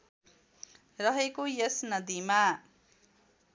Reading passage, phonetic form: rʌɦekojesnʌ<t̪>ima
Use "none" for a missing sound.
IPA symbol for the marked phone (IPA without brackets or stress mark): d̪